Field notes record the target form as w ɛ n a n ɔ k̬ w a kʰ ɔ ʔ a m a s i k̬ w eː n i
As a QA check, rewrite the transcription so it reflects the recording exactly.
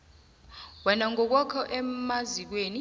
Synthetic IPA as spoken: w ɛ n a ŋ ɔ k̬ w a kʰ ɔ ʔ ɛ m a z i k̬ w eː n i